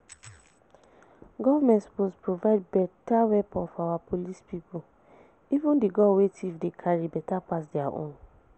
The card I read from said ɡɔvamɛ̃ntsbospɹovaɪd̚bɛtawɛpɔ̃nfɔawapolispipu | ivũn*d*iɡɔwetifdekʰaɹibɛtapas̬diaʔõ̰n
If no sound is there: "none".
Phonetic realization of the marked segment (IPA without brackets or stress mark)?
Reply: d